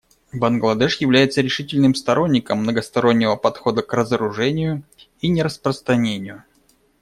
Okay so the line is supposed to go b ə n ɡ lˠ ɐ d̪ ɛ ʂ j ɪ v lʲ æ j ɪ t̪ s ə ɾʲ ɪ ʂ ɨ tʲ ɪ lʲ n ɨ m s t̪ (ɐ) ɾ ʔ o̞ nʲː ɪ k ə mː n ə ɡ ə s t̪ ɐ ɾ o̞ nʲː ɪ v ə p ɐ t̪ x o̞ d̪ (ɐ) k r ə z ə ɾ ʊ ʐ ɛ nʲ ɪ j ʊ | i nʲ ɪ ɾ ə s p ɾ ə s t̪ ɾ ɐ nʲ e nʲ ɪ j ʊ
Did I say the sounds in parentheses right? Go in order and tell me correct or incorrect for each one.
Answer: correct, incorrect

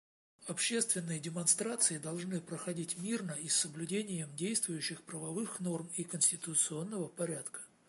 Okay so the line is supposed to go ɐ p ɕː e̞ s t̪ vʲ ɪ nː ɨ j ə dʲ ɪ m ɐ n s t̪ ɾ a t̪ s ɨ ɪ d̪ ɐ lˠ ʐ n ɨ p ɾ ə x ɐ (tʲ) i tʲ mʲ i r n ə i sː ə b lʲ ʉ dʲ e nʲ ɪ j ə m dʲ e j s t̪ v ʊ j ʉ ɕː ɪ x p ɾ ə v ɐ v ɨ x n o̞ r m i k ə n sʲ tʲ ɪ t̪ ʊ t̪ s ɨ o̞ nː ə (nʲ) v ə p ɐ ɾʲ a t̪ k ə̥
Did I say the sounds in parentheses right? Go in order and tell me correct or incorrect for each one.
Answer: incorrect, incorrect

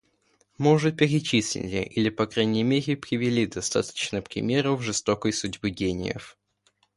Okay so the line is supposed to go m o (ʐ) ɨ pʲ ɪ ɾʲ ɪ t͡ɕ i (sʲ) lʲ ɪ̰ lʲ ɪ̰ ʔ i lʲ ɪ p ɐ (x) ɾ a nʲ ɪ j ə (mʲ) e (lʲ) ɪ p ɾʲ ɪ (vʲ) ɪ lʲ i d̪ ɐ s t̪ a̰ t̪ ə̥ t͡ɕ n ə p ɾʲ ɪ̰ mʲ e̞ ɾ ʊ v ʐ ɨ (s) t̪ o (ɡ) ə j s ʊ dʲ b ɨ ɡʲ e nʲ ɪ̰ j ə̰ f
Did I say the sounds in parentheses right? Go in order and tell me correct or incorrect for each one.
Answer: correct, correct, incorrect, correct, incorrect, correct, correct, incorrect

